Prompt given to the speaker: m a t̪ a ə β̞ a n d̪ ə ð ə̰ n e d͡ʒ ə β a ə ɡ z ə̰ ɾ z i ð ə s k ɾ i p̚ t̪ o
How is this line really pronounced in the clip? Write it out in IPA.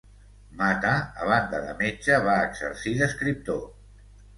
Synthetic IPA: m a t̪ a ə β̞ a n d̪ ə ð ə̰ m e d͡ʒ ə β a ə ɡ z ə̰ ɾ s i ð ə s k ɾ i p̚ t̪ o

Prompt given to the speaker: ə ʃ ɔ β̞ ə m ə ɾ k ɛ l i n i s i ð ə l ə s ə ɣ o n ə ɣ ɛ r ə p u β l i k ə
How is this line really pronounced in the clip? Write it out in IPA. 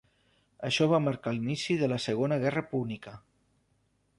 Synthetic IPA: ə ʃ ɔ β̞ a m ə ɾ k a l i n i s i ð ə l ə s ə ɣ o n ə ɣ ɛ r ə p u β l i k ə

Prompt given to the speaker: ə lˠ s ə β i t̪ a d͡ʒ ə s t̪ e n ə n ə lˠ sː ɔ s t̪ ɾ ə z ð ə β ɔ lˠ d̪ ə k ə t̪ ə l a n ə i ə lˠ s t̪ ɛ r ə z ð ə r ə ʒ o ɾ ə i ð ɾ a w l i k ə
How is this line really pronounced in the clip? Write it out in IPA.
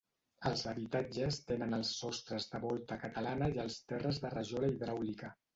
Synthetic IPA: ə lˠ z ə β i t̪ a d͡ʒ ə s t̪ e n ə n ə lˠ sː ɔ s t̪ ɾ ə z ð ə β ɔ lˠ t̪ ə k ə t̪ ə l a n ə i ə lˠ s t̪ ɛ r ə z ð ə r ə ʒ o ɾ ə i ð ɾ a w l i k ə

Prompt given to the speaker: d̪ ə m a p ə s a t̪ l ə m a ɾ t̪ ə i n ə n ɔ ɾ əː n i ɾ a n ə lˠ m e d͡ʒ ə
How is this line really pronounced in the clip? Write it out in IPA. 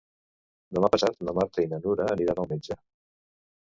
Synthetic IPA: d̪ ə m a p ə s a t̪ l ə m a ɾ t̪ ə i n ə n u ɾ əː n i ɾ a n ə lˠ m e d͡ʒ ə

